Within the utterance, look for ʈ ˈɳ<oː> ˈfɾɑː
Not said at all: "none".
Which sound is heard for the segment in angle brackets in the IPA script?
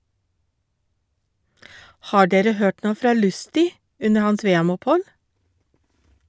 oː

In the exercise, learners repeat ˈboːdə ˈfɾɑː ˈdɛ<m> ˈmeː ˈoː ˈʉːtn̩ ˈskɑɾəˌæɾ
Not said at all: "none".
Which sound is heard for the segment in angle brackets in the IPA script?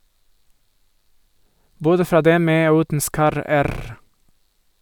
m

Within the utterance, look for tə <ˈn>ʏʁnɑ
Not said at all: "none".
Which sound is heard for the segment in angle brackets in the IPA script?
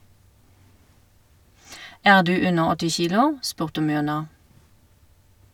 m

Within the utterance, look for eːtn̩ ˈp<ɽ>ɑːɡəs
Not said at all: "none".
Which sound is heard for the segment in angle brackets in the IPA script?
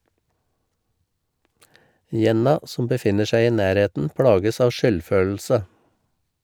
ɽ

